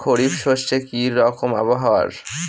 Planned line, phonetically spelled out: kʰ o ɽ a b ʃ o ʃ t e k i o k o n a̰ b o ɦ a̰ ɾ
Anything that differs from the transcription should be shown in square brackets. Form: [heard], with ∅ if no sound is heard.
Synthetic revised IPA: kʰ o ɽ [i] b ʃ o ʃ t e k i [ɔ] k o [m] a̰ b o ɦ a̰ ɾ